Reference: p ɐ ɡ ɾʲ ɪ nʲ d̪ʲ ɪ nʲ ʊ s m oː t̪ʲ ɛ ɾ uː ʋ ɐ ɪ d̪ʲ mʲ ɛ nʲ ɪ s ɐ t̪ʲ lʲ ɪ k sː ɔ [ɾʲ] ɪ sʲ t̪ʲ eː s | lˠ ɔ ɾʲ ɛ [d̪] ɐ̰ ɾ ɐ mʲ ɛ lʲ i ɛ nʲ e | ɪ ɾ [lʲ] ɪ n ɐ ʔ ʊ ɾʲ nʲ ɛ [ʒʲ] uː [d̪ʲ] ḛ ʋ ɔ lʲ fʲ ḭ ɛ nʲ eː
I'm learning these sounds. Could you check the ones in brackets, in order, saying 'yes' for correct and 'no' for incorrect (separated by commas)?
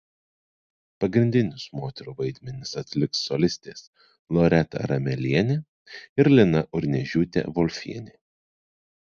no, no, yes, yes, no